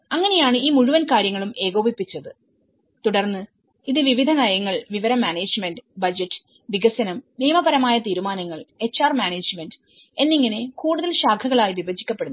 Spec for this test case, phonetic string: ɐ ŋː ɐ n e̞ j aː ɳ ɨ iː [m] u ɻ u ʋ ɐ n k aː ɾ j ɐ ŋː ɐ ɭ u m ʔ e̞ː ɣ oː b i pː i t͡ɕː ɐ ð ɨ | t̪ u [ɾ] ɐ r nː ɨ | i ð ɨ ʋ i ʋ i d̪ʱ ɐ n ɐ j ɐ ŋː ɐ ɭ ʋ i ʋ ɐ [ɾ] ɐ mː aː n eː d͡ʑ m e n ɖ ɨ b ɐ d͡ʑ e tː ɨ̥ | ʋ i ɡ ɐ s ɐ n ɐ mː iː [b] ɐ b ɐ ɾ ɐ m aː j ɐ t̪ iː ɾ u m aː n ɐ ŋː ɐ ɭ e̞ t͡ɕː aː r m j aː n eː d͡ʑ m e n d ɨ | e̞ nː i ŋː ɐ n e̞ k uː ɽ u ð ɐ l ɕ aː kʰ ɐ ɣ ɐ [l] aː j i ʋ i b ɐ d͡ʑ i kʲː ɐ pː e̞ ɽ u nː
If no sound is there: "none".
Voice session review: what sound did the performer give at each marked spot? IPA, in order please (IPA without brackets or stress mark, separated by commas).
m, ɽ, ɾ, m, ɭ